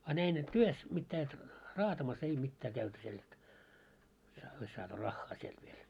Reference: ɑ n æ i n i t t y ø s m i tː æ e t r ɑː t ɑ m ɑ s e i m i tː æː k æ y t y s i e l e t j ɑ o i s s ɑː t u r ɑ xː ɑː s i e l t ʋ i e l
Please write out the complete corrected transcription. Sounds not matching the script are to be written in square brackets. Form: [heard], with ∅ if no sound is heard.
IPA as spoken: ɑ n æ i n [e] t t y ø s m i tː [æː] e t r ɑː t ɑ m ɑ s e i m i tː æː k æ y t y s i e l e t j ɑ o i s s ɑː t u r ɑ xː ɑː s i e l t ʋ i e l